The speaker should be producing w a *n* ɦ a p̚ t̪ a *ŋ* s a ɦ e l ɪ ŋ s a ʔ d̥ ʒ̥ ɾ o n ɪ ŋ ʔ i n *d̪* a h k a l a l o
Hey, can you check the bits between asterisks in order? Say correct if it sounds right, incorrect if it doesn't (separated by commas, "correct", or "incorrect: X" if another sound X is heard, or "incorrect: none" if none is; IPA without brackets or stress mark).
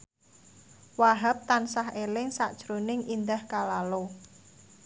incorrect: none, incorrect: n, correct